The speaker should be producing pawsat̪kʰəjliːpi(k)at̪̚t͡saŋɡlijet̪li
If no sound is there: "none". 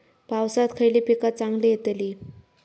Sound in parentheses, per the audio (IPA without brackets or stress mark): k